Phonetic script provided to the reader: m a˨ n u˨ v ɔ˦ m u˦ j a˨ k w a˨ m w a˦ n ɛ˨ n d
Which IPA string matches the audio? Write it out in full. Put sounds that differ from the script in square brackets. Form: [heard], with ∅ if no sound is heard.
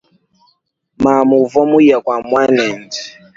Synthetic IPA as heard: m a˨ [m] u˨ v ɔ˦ m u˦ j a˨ k w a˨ m w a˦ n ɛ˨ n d